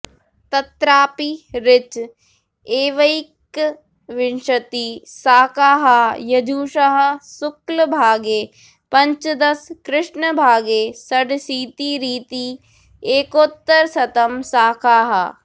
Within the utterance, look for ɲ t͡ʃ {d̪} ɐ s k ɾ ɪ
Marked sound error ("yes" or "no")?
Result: no